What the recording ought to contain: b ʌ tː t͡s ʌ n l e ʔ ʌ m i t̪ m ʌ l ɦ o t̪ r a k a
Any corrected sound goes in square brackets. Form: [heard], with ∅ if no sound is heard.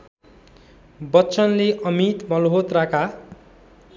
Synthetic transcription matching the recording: b ʌ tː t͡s ʌ n l e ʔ ʌ m i t̪ m ʌ l ɦ o t̪ r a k a